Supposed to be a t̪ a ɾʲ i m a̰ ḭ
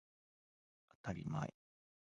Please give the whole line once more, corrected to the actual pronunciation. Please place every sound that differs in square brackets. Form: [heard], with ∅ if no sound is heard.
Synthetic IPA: a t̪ a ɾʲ i m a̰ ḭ